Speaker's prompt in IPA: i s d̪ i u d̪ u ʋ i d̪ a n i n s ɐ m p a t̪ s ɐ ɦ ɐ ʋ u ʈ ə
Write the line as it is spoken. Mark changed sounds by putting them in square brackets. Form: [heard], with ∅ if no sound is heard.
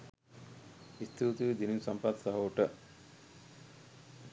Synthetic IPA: i s [t̪] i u [t̪] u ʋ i d̪ [i] n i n s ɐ m p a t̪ s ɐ ɦ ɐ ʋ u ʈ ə